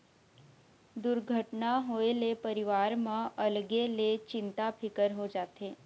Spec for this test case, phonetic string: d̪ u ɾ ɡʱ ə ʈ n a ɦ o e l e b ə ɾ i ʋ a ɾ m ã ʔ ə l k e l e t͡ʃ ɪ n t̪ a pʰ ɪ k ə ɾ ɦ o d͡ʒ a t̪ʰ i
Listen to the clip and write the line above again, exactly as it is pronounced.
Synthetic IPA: d̪ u ɾ ɡʱ ə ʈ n a ɦ o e l e p ə ɾ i ʋ a ɾ m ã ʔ ə l ɡ e l e t͡ʃ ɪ n t̪ a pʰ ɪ k ə ɾ ɦ o d͡ʒ a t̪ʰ e